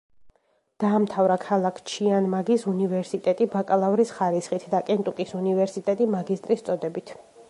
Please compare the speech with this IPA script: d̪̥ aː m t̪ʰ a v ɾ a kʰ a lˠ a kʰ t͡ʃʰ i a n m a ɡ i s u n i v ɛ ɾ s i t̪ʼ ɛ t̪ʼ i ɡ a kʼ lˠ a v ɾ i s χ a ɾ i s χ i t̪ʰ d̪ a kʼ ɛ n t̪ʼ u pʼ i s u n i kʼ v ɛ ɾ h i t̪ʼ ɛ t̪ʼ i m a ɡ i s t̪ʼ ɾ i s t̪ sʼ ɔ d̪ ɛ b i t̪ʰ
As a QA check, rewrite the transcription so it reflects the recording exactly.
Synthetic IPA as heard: d̪̥ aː m t̪ʰ a v ɾ a kʰ a lˠ a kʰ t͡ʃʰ i a n m a ɡ i s u n i v ɛ ɾ s i t̪ʼ ɛ t̪ʼ i b a kʼ lˠ a v ɾ i s χ a ɾ i s χ i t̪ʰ d̪ a kʼ ɛ n t̪ʼ u kʼ i s u n i v ɛ ɾ s i t̪ʼ ɛ t̪ʼ i m a ɡ i s t̪ʼ ɾ i s t̪ sʼ ɔ d̪ ɛ b i t̪ʰ